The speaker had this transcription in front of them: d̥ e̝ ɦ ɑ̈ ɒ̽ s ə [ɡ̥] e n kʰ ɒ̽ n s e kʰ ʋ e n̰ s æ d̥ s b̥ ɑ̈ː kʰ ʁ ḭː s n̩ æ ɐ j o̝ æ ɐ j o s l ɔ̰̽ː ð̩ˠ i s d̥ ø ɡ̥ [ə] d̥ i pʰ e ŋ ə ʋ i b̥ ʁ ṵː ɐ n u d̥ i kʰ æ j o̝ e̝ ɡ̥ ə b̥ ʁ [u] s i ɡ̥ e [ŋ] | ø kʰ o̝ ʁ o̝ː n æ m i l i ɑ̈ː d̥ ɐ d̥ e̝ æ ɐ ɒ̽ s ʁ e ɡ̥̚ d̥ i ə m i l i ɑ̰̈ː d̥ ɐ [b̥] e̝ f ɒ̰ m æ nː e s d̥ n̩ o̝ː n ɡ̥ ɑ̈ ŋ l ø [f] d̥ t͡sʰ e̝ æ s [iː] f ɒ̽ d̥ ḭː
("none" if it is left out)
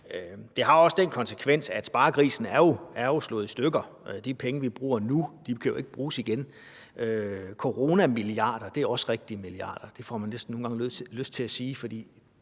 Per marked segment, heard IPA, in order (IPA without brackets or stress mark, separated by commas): d̥, ɐ, uː, n, d̥, s, iː